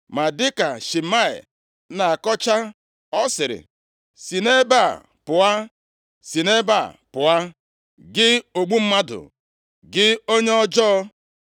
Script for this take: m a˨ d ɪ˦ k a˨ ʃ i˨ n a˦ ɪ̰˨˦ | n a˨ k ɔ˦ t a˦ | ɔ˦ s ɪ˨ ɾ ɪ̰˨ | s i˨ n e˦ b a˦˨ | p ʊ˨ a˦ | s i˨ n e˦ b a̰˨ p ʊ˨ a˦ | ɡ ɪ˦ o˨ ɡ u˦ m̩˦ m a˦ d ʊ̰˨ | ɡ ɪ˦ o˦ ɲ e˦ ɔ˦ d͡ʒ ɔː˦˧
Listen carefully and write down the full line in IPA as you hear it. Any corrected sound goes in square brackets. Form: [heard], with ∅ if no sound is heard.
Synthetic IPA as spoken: m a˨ d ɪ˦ k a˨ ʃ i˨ [m] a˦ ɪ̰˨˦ | n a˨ k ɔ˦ [t͡ʃ] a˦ | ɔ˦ s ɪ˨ ɾ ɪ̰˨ | s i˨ n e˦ b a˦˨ | p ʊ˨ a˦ | s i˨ n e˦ b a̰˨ p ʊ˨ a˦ | ɡ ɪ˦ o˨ [ɡ͡b] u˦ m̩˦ m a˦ d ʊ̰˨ | ɡ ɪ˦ o˦ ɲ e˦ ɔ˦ d͡ʒ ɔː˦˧